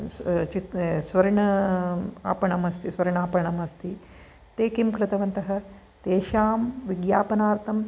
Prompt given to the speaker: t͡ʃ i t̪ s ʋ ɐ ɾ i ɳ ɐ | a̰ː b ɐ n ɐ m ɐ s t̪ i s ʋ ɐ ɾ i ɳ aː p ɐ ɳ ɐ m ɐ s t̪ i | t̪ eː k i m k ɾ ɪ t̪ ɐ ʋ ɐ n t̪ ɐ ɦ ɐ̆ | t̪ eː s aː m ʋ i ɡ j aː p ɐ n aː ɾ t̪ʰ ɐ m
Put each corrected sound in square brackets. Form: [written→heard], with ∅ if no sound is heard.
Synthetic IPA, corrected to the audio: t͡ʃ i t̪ s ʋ ɐ ɾ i ɳ ɐ | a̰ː [b→p] ɐ [n→ɳ] ɐ m ɐ s t̪ i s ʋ ɐ ɾ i ɳ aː p ɐ ɳ ɐ m ɐ s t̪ i | t̪ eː k i m k ɾ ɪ t̪ ɐ ʋ ɐ n t̪ ɐ ɦ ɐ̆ | t̪ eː [s→ʃ] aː m ʋ i ɡ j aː p ɐ n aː ɾ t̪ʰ ɐ m